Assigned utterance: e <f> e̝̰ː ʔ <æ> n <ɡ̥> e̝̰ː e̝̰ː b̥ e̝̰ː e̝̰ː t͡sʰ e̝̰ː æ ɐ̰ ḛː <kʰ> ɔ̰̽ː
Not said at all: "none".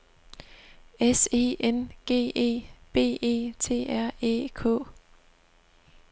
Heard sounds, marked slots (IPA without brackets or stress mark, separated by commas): s, e, ɡ̥, kʰ